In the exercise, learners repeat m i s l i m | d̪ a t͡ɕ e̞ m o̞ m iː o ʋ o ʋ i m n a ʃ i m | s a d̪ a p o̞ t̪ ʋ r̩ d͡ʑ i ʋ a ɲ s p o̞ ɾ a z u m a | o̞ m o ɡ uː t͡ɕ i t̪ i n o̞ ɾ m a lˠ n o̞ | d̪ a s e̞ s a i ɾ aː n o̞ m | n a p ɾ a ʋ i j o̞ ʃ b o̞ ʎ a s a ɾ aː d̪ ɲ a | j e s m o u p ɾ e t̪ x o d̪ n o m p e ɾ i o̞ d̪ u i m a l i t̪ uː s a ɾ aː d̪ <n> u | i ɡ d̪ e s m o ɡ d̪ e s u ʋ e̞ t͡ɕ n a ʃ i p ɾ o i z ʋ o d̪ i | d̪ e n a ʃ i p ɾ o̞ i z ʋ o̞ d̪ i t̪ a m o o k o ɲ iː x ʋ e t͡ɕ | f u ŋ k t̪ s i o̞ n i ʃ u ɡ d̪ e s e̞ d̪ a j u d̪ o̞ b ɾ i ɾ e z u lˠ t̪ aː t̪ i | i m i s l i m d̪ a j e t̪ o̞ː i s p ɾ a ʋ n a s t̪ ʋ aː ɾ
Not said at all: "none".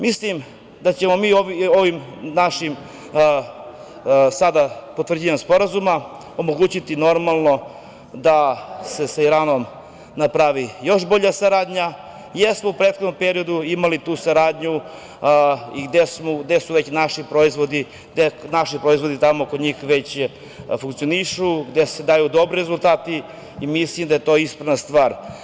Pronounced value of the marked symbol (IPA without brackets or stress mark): ɲ